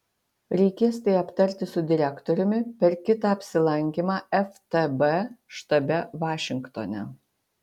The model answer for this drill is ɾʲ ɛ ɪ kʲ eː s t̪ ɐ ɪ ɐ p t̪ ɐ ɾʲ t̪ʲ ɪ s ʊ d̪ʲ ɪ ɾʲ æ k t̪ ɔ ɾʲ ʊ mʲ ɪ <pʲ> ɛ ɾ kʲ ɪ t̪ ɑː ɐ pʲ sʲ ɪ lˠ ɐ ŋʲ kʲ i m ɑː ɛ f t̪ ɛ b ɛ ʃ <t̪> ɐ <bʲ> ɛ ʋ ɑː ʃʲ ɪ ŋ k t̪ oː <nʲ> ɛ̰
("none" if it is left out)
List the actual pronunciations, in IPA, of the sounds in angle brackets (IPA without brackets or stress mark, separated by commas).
pʲ, t̪, bʲ, nʲ